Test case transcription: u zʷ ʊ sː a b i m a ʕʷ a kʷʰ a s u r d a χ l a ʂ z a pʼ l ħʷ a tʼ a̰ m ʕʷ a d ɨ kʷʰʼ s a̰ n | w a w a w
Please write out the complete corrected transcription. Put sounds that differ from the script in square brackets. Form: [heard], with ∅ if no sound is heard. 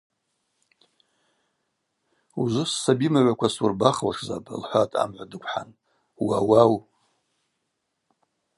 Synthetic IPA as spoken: u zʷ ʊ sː a b i m a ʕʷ a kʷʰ a s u r [b] a χ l a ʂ z a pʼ l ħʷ a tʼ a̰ m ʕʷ a d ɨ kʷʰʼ [ħ] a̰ n | w a w a w